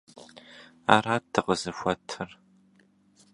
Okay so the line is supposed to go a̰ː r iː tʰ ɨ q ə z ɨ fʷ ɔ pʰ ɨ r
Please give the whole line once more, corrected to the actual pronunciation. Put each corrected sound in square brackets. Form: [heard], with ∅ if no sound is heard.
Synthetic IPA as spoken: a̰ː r [aː] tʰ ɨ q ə z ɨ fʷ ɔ [tʰ] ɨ r